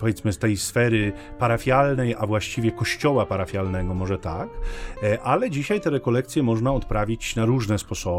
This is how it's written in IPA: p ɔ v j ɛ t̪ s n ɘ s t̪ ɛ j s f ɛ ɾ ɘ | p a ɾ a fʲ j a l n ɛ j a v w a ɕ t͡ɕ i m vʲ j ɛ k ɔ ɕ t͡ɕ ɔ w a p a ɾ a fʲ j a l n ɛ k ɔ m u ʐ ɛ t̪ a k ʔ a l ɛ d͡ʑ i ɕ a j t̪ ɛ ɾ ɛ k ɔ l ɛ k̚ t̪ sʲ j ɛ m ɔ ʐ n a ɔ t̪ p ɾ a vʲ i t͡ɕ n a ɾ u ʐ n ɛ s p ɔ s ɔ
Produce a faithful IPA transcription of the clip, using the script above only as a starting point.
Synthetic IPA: p ɔ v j ɛ t̪ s m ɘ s t̪ ɛ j s f ɛ ɾ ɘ | p a ɾ a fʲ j a l n ɛ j a v w a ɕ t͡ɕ i vʲ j ɛ k ɔ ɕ t͡ɕ ɔ w a p a ɾ a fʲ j a l n ɛ ɡ ɔ m ɔ ʐ ɛ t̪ a k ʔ a l ɛ d͡ʑ i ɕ a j t̪ ɛ ɾ ɛ k ɔ l ɛ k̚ t̪ sʲ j ɛ m ɔ ʐ n a ɔ t̪ p ɾ a vʲ i t͡ɕ n a ɾ u ʐ n ɛ s p ɔ s ɔ